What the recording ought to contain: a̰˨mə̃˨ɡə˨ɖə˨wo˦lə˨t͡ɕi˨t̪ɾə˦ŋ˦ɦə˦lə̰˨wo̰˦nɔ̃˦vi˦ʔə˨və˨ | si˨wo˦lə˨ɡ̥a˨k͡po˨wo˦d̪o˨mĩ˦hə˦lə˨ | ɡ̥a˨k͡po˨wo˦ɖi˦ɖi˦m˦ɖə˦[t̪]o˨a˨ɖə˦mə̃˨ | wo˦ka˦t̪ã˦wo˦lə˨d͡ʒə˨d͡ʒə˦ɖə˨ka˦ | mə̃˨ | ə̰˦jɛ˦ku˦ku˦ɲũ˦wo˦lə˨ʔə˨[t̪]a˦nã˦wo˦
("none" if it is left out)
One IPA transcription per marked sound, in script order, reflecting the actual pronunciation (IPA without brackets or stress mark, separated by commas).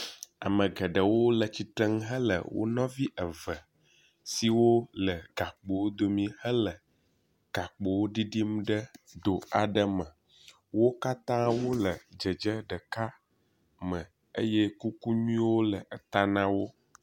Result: d̪, t̪